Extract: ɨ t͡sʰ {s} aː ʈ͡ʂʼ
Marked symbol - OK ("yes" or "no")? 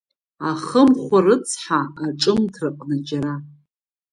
no